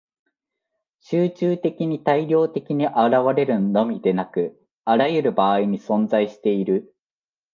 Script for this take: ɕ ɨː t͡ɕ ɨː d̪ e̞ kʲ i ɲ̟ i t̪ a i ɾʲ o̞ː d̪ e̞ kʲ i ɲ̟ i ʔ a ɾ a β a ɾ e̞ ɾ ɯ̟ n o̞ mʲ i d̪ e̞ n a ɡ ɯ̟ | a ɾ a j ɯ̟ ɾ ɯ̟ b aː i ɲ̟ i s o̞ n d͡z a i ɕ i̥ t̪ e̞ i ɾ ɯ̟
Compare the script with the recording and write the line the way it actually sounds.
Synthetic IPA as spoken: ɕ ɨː t͡ɕ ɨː t̪ e̞ kʲ i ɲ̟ i t̪ a i ɾʲ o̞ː t̪ e̞ kʲ i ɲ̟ i ʔ a ɾ a β a ɾ e̞ ɾ ɯ̟ n o̞ mʲ i d̪ e̞ n a k ɯ̟ | a ɾ a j ɯ̟ ɾ ɯ̟ b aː i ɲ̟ i s õ̞ n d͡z a i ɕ i̥ t̪ e̞ i ɾ ɯ̟